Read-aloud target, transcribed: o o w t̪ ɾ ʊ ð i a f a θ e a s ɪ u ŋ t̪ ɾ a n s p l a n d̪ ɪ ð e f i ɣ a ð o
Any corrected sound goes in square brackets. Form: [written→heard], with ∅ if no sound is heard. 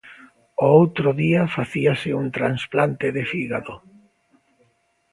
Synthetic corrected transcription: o o w t̪ ɾ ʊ ð i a f a θ [e→i] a s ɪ u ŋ t̪ ɾ a n s p l a n [d̪→t̪] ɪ ð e f i ɣ a ð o